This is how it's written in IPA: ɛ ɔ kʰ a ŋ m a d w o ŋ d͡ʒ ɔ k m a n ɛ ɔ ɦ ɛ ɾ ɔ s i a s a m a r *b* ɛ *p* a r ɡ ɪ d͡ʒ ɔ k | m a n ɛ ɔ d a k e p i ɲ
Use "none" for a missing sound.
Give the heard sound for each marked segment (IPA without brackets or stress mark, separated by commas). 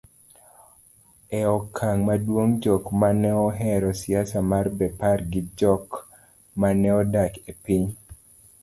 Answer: b, p